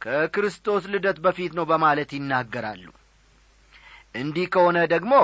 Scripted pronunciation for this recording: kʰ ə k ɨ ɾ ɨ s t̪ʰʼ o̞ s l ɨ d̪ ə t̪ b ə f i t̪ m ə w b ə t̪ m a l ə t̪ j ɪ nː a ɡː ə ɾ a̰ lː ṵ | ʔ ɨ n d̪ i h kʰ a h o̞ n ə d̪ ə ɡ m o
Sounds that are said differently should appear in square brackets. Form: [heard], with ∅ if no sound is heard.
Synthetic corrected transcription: kʰ ə k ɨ ɾ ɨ s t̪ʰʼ o̞ s l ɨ d̪ ə t̪ b ə f i t̪ [n] ə w b ə [∅] m a l ə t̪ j ɪ nː a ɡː ə ɾ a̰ lː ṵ | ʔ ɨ n d̪ i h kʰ [ə] h o̞ n ə d̪ ə ɡ m o